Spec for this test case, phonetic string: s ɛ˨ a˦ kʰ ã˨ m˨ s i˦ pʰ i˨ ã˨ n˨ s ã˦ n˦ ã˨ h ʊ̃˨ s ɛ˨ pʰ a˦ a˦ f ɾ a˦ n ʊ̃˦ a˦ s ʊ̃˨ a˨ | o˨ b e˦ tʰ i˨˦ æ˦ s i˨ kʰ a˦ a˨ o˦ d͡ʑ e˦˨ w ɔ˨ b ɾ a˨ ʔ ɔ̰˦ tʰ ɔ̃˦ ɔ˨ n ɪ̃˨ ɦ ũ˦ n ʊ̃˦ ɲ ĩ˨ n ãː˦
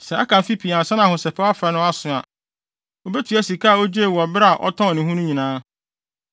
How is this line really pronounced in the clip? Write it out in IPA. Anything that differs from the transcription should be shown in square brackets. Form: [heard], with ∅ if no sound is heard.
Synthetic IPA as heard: s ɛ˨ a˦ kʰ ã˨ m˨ [f] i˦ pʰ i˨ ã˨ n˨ s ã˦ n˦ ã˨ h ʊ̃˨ s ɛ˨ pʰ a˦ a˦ f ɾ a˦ n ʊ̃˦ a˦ s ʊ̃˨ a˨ | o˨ b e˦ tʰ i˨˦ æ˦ s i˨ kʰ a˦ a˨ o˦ d͡ʑ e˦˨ w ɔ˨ b ɾ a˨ ʔ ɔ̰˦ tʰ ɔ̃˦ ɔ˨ n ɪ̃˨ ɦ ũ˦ n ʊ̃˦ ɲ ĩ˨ n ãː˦